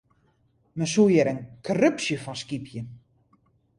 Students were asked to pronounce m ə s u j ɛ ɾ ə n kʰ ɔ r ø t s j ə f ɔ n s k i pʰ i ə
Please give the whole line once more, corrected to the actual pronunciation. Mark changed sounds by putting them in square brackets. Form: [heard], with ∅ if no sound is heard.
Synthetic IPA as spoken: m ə s u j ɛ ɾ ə n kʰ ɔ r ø [p] s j ə f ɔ n s k i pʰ [j] ə